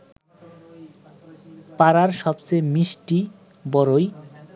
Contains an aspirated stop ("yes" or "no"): no